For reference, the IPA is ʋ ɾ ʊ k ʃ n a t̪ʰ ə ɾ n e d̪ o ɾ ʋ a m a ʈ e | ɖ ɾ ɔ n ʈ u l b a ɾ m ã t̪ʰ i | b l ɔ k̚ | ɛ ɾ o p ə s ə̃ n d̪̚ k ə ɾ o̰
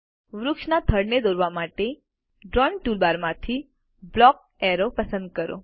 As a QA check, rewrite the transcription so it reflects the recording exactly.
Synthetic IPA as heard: ʋ ɾ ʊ k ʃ n a t̪ʰ ə ɽ n e d̪ o ɾ ʋ a m a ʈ e | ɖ ɾ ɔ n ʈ u l b a ɾ m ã t̪ʰ i | b l ɔ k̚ | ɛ ɾ o p ə s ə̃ n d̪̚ k ə ɾ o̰